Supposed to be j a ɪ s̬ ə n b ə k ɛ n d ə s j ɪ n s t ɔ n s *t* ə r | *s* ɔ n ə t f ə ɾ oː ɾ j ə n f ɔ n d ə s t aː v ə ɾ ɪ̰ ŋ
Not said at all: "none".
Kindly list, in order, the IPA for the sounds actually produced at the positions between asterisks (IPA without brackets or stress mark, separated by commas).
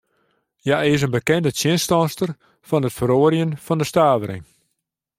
t, f